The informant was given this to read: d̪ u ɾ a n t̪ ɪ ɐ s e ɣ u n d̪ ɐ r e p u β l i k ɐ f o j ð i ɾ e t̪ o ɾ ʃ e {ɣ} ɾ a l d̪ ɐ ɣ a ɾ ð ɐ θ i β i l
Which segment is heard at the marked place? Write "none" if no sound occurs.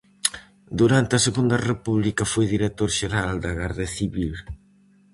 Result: none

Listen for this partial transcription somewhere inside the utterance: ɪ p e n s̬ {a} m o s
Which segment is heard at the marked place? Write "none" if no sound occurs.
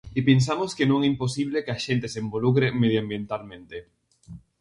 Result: a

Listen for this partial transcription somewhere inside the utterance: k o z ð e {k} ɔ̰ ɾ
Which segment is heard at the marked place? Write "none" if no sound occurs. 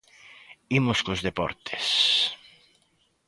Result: p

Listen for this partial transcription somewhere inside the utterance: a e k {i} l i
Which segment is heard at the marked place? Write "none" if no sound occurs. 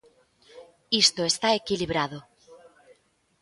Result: i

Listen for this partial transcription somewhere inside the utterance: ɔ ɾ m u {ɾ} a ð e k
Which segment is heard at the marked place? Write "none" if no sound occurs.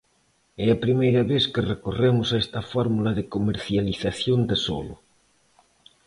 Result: l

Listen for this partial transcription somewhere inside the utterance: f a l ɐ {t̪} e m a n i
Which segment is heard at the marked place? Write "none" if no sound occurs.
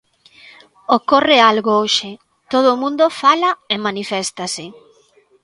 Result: none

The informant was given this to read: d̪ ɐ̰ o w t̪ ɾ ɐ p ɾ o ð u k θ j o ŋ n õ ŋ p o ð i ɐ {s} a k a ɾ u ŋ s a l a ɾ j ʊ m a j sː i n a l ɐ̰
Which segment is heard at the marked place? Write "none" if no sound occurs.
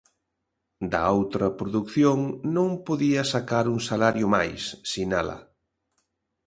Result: s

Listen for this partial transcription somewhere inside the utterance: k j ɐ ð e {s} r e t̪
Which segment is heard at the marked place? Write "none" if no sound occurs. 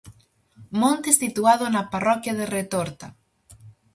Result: none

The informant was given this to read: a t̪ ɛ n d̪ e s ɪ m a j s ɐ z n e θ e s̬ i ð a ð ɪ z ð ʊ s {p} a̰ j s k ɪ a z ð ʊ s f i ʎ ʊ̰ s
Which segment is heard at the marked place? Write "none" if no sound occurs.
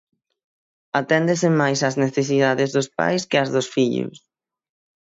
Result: p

